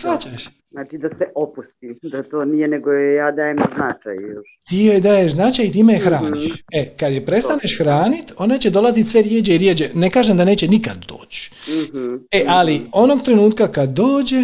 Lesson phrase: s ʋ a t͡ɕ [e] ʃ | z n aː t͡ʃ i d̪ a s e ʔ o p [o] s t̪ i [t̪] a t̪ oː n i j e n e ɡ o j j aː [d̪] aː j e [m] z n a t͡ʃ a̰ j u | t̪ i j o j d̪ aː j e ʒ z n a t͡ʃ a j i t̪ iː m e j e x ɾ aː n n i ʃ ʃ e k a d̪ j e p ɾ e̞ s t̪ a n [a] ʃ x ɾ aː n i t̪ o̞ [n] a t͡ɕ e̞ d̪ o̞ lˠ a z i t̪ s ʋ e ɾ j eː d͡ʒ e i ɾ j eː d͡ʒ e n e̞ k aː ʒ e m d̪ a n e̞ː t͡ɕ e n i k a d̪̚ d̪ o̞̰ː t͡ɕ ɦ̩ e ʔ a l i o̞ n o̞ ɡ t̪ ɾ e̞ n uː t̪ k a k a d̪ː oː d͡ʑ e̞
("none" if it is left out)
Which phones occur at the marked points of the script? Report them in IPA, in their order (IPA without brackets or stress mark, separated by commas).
a, u, d̪, d̪, m, e, n